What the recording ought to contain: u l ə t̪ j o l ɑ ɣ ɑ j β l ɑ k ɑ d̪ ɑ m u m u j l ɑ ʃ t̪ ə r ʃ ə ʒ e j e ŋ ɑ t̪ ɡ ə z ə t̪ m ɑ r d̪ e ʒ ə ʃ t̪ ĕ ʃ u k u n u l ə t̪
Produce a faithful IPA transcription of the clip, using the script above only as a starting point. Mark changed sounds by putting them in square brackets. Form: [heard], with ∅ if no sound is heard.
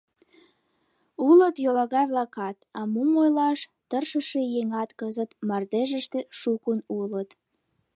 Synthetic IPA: u l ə t̪ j o l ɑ ɣ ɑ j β l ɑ k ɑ [t̪] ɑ m u m [o] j l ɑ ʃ t̪ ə r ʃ ə [ʃ] e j e ŋ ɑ t̪ [k] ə z ə t̪ m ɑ r d̪ e ʒ ə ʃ t̪ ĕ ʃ u k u n u l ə t̪